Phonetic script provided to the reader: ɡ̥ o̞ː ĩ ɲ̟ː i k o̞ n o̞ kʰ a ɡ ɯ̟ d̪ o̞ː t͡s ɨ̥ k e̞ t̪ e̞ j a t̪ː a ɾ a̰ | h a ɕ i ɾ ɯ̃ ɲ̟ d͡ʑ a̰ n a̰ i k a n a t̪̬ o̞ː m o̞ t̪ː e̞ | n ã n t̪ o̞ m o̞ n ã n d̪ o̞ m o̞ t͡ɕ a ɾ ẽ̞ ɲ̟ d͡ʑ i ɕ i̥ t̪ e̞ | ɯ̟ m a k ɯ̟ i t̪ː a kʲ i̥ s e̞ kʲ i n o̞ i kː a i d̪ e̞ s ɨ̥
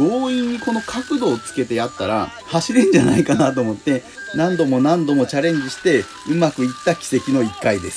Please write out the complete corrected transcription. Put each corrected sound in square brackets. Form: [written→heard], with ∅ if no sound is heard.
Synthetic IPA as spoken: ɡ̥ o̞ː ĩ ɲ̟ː i k o̞ n o̞ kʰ a [ɡ→k] ɯ̟ d̪ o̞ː t͡s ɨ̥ k e̞ t̪ e̞ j a t̪ː a ɾ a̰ | h a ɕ i ɾ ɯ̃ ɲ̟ d͡ʑ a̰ n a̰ i k a n a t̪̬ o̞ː m o̞ t̪ː e̞ | n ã n [t̪→d̪] o̞ m o̞ n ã n d̪ o̞ m o̞ t͡ɕ a ɾ ẽ̞ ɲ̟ d͡ʑ i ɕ i̥ t̪ e̞ | ɯ̟ m a k ɯ̟ i t̪ː a kʲ i̥ s e̞ kʲ i n o̞ i kː a i d̪ e̞ s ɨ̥